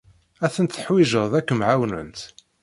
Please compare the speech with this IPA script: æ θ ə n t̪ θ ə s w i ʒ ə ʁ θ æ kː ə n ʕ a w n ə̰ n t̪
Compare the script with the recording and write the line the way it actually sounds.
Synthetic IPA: æ θ ə n t̪ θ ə ħ w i ʒ ə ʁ ð æ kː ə m ʕ a w n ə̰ n t̪